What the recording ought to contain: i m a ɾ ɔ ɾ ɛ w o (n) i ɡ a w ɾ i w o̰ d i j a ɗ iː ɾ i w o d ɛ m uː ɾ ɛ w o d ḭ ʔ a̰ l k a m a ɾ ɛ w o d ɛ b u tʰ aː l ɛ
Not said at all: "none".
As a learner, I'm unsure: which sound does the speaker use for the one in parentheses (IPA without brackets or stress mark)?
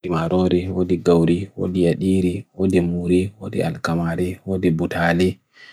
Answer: d